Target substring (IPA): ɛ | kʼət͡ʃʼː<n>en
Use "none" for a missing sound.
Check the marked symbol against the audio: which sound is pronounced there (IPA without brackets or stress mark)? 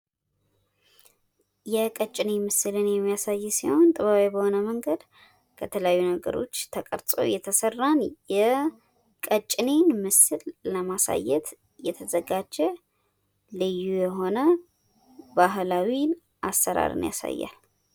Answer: n